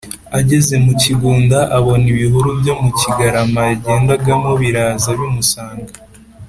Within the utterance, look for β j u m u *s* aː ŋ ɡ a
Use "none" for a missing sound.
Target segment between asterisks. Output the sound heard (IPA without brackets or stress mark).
s